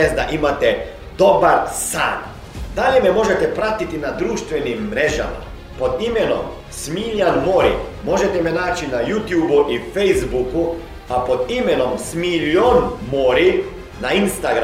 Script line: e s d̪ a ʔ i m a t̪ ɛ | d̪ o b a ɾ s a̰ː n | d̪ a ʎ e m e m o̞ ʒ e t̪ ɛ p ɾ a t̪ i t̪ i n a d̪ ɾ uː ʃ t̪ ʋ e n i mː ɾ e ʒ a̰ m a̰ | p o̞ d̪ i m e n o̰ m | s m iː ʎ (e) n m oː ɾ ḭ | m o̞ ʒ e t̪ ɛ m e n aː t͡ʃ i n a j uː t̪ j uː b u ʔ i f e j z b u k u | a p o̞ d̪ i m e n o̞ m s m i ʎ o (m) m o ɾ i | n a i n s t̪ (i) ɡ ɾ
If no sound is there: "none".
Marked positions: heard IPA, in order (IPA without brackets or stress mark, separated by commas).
a, n, a